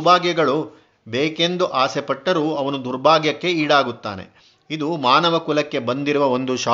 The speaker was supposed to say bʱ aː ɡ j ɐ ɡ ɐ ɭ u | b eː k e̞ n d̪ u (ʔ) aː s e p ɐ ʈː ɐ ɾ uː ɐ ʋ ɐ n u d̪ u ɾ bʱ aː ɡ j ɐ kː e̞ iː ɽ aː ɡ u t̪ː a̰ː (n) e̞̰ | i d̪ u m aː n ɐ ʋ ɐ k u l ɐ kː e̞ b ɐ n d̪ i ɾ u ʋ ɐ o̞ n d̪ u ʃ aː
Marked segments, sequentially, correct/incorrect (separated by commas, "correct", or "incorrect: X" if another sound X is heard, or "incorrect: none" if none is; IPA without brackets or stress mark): correct, correct